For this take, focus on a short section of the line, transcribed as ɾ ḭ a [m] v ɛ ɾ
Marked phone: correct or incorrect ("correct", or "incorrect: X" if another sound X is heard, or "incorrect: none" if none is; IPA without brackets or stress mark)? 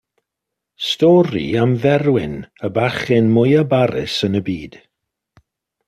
correct